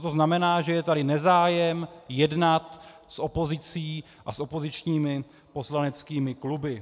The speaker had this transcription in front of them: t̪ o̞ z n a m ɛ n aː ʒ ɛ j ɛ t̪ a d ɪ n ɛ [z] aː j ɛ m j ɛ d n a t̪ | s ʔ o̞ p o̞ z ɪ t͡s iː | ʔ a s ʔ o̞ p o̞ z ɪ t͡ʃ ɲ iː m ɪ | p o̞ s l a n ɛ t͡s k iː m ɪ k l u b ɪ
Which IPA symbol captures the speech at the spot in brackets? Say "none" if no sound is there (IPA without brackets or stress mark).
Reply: z